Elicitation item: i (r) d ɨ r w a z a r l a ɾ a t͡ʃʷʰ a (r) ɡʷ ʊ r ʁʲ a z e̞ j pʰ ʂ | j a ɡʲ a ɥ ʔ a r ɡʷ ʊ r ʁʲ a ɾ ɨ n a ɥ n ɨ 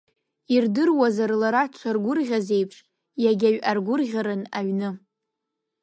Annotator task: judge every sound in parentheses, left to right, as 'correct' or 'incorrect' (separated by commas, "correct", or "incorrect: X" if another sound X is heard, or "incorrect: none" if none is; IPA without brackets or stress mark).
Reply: correct, correct